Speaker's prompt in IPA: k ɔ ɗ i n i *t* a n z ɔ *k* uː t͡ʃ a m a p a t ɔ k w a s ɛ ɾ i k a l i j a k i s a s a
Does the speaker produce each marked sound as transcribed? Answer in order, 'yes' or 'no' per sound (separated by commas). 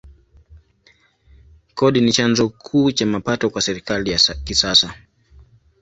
no, no